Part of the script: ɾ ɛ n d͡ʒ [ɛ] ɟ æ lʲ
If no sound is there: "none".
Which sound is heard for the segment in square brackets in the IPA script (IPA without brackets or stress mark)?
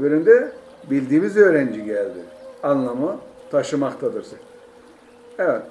i